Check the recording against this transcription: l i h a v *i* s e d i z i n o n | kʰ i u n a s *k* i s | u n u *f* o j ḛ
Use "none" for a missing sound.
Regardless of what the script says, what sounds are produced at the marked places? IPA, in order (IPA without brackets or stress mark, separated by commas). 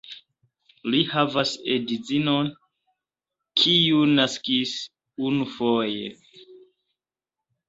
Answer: a, k, f